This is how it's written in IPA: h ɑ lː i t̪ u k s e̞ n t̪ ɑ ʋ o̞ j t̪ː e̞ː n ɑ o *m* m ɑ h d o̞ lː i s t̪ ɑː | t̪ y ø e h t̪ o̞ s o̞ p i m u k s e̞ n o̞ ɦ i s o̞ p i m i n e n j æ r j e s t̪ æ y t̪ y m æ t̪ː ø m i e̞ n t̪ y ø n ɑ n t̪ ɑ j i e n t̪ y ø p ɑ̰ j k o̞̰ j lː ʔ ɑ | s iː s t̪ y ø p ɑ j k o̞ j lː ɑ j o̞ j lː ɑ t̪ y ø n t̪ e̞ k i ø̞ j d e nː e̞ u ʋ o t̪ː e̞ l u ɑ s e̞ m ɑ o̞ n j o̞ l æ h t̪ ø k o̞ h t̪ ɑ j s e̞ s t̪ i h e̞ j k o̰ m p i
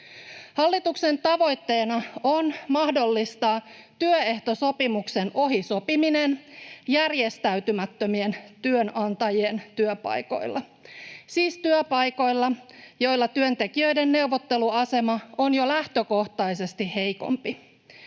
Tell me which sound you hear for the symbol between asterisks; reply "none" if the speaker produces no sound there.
n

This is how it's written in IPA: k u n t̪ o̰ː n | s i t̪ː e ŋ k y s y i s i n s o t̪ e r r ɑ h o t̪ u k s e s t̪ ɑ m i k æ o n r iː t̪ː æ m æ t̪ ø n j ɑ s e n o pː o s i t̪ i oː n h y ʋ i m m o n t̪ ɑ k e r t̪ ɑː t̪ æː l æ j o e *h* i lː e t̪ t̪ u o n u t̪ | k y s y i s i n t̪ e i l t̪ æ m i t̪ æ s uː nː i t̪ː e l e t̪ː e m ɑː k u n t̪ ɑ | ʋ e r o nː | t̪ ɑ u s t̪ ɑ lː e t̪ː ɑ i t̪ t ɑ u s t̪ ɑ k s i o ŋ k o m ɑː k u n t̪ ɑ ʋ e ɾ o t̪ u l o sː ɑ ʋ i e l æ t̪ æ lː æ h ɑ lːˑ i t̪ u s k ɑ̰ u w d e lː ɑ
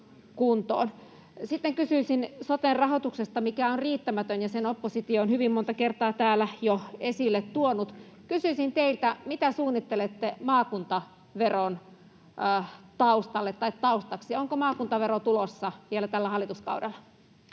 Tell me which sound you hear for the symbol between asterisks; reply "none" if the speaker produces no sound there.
s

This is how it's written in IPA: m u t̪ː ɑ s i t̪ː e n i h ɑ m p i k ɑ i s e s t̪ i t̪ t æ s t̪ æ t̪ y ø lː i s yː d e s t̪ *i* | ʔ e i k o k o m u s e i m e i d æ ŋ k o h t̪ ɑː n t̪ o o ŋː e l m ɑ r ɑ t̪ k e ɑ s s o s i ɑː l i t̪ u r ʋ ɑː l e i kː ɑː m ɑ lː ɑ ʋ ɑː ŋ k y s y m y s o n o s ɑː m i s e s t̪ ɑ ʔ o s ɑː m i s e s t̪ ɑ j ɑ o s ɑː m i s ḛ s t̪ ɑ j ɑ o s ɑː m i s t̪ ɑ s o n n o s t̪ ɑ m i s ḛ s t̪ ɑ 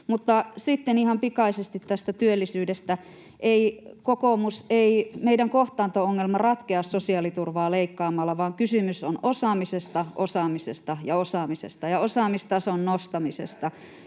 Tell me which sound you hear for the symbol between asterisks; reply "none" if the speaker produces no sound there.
æ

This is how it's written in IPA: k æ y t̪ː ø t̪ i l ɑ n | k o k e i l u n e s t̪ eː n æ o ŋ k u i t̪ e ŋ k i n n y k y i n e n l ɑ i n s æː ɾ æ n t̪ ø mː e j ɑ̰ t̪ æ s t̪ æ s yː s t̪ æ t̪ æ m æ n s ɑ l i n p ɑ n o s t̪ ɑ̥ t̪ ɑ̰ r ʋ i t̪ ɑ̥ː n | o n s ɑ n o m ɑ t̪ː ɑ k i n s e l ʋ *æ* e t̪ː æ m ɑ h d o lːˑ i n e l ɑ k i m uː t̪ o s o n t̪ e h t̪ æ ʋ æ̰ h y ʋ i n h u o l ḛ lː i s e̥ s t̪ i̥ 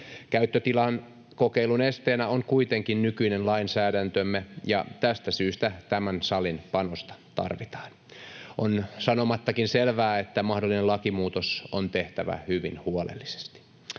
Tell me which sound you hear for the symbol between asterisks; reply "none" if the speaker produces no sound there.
æː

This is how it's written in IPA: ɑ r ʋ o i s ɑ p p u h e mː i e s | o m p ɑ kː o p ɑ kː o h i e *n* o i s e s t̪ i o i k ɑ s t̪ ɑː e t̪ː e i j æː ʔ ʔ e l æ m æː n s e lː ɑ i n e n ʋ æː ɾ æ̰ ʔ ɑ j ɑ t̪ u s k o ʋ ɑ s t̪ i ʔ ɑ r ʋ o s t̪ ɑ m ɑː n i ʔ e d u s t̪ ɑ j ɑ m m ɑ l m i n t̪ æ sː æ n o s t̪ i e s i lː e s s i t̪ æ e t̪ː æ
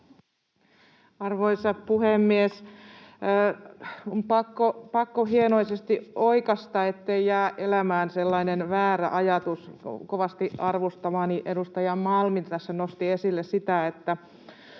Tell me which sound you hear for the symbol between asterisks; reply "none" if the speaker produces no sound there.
n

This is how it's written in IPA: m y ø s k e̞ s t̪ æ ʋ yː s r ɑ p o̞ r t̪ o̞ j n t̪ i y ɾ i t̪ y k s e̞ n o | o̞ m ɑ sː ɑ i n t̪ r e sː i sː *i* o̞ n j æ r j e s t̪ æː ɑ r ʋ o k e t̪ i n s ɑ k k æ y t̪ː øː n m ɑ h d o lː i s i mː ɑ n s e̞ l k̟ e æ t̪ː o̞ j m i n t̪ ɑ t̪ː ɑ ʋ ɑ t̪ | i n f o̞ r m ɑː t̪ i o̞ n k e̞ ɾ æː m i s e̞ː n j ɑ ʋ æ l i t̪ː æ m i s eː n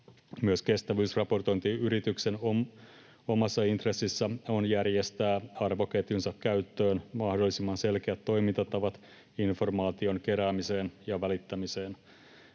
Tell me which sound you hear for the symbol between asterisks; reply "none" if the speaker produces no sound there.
æ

